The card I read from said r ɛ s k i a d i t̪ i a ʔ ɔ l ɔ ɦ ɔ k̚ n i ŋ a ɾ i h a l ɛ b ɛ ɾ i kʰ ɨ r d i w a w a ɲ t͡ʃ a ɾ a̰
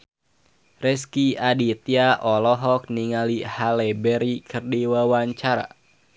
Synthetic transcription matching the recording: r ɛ s k i a d i t̪ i a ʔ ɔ l ɔ ɦ ɔ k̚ n i ŋ a l i h a l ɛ b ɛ ɾ i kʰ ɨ r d i w a w a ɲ t͡ʃ a ɾ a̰

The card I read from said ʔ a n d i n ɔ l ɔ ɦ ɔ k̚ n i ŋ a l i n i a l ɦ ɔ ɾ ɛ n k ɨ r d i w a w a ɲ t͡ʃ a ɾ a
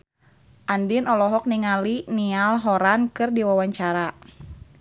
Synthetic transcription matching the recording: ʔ a n d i n ɔ l ɔ ɦ ɔ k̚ n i ŋ a l i n i a l ɦ ɔ ɾ a n k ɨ r d i w a w a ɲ t͡ʃ a ɾ a

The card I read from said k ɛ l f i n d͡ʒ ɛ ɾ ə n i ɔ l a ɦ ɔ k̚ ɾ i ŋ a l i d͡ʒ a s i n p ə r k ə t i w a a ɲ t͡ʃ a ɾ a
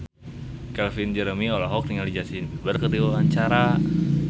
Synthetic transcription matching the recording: k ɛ l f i n d͡ʒ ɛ ɾ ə m i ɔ l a ɦ ɔ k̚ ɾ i ŋ a l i d͡ʒ a s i n b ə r k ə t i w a a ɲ t͡ʃ a ɾ a

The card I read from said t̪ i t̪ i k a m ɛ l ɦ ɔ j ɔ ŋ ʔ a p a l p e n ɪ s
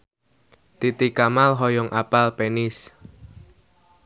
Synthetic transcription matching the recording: t̪ i t̪ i k a m a l ɦ ɔ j ɔ ŋ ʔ a p a l p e n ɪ s

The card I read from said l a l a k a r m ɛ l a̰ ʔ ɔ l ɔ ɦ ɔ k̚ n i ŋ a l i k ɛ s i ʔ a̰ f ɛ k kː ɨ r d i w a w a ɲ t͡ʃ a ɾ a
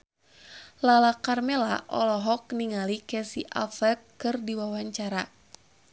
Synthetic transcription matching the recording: l a l a k a r m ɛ l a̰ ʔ ɔ l ɔ ɦ ɔ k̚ n i ŋ a l i k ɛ s i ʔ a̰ f ɛ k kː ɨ r d i w a w a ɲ t͡ʃ a ɾ a

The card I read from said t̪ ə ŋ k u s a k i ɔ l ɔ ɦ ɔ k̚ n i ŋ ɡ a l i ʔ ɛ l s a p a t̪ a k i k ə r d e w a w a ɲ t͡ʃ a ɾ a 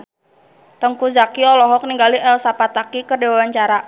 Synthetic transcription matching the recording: t̪ ə ŋ k u z a k i ɔ l ɔ ɦ ɔ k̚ n i ŋ ɡ a l i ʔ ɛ l s a p a t̪ a k i k ə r d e w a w a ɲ t͡ʃ a ɾ a

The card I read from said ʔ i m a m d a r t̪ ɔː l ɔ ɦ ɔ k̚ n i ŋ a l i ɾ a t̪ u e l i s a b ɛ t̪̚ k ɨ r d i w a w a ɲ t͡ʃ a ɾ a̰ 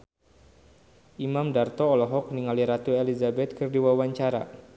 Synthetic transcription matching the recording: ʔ i m a m d a r t̪ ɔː l ɔ ɦ ɔ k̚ n i ŋ a l i ɾ a t̪ u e l i z a b ɛ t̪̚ k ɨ r d i w a w a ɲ t͡ʃ a ɾ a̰

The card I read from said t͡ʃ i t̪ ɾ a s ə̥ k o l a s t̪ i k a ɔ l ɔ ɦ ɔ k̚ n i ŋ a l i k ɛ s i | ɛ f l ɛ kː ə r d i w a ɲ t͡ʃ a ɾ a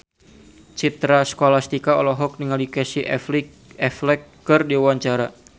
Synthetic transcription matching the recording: t͡ʃ i t̪ ɾ a s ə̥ k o l a s t̪ i k a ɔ l ɔ ɦ ɔ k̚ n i ŋ a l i k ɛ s i | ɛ f l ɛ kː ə r d i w a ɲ t͡ʃ a ɾ a

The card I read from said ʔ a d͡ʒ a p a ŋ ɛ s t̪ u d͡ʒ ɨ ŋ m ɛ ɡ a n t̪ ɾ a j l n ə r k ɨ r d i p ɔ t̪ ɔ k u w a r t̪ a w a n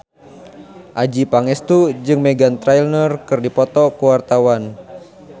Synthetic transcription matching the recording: ʔ a d͡ʒ i p a ŋ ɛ s t̪ u d͡ʒ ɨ ŋ m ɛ ɡ a n t̪ ɾ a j l n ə r k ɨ r d i p ɔ t̪ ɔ k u w a r t̪ a w a n

